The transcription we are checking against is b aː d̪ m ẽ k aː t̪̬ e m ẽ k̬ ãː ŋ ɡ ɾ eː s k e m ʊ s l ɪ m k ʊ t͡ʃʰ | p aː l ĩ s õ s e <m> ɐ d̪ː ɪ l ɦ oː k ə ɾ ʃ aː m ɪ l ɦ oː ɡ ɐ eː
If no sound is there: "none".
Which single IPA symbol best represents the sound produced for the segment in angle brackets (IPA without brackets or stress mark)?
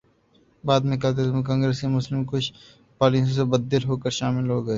b